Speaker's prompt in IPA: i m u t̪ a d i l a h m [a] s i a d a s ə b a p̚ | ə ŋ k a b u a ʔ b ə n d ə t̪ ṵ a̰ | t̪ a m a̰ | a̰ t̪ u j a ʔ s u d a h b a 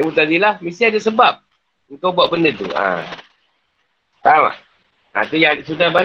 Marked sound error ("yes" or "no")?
yes